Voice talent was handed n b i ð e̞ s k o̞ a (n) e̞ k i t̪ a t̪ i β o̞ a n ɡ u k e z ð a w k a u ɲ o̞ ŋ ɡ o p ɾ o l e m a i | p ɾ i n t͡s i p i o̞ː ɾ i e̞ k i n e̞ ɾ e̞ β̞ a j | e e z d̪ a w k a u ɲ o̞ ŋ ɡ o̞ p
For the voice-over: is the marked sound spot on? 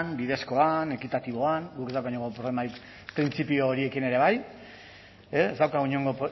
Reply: yes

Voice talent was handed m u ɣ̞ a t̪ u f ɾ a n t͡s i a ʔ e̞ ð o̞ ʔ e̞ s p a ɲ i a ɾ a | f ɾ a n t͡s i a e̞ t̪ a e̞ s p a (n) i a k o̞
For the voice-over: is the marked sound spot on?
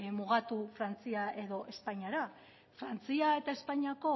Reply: no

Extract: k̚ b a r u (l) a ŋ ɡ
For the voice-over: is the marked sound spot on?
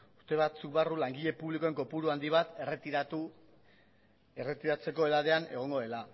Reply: yes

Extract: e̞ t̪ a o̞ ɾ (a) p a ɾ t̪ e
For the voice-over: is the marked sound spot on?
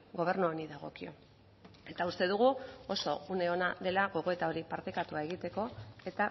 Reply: no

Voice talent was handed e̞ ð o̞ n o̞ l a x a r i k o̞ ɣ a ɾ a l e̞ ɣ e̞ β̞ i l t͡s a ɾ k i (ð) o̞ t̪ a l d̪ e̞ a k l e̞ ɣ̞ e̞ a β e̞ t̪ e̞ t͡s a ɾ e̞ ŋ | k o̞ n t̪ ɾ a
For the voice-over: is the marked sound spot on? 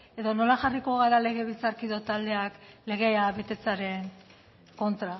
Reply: yes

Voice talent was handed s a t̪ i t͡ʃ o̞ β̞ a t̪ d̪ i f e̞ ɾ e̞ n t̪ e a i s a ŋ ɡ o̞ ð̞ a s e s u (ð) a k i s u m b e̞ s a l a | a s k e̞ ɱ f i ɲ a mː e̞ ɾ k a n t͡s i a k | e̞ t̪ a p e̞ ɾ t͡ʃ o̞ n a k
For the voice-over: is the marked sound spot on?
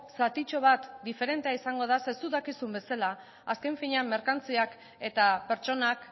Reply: yes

